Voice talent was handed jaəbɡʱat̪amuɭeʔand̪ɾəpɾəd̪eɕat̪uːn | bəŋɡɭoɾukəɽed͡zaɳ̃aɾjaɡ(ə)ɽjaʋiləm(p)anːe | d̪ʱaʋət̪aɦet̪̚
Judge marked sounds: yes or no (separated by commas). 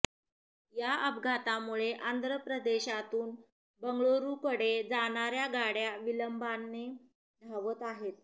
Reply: no, no